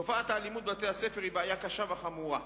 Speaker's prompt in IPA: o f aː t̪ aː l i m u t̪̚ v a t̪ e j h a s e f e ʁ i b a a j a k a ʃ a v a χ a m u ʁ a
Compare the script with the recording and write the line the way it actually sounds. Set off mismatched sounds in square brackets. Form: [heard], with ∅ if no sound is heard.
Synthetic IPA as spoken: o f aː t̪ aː l i m u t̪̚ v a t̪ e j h a s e f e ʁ i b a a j a k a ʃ a v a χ a m u ʁ a